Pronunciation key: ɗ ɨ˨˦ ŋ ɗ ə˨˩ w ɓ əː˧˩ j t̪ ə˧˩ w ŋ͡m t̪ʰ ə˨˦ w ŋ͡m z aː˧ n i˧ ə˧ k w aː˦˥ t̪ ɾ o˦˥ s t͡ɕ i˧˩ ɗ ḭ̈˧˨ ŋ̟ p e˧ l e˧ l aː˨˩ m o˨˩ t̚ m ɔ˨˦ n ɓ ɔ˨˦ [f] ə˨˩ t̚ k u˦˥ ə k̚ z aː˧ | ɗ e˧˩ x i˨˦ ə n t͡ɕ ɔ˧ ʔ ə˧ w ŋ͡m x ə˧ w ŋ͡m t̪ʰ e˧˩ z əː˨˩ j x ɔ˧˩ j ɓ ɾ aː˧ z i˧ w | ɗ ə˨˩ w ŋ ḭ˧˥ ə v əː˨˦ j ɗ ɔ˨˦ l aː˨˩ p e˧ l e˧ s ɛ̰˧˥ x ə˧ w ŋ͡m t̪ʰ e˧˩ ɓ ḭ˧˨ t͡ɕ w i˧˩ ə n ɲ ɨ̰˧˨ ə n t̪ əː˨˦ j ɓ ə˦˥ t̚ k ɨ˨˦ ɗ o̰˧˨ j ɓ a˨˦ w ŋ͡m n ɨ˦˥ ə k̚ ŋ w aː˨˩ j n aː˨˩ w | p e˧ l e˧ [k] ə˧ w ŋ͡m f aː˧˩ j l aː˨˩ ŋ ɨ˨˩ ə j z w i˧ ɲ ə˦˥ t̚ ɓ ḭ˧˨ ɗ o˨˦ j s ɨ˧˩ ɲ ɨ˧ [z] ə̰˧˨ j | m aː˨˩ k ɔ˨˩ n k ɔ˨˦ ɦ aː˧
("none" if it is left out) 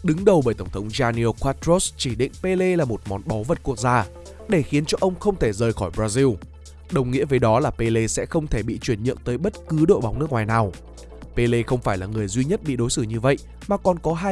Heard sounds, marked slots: v, x, v

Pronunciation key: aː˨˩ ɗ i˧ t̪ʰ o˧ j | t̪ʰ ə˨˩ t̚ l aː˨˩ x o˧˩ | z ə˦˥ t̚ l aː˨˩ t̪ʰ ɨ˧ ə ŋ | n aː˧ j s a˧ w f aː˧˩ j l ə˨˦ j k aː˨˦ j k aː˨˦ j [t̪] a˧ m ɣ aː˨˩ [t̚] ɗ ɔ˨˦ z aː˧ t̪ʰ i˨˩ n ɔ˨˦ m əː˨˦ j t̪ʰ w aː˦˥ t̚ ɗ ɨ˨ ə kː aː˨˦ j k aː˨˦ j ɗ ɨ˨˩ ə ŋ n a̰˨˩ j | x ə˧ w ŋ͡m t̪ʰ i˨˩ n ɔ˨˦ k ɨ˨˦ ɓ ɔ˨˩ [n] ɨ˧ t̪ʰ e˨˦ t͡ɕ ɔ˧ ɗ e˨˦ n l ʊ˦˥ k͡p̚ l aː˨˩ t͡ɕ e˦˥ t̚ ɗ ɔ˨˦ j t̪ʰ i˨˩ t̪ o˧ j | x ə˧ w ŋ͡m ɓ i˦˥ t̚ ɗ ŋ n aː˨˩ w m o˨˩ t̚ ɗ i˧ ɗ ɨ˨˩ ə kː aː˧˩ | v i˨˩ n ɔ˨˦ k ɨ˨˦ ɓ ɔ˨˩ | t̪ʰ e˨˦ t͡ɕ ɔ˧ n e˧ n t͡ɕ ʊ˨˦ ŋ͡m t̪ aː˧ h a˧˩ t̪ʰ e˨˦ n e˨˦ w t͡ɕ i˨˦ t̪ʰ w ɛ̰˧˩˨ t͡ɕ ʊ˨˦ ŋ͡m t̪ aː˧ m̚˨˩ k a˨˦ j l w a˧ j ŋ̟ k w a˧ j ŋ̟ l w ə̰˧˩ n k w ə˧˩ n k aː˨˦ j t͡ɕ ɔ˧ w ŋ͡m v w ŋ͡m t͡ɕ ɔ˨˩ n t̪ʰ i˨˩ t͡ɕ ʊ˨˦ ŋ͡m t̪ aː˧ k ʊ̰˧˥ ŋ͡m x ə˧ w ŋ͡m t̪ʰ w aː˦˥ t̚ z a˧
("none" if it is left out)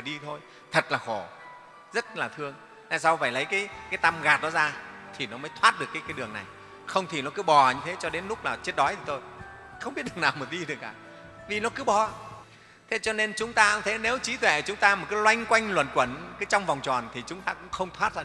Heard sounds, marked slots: t̪, t̚, ɲ

